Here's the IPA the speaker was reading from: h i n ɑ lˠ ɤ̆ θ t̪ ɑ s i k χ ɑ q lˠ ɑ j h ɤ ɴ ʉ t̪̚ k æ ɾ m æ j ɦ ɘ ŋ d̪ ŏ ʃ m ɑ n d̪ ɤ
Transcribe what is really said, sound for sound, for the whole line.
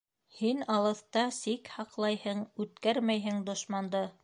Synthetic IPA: h i n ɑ lˠ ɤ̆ θ t̪ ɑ s i k h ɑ q lˠ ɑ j h ɤ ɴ ʉ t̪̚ k æ ɾ m æ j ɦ ɘ ŋ d̪ ŏ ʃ m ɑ n d̪ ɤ